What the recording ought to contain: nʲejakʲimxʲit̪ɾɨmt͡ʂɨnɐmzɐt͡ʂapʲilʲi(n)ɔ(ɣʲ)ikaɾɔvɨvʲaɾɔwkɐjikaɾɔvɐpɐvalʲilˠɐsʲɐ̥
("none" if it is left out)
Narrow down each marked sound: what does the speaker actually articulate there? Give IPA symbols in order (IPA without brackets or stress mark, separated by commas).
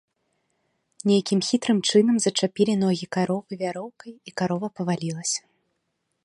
n, ɣʲ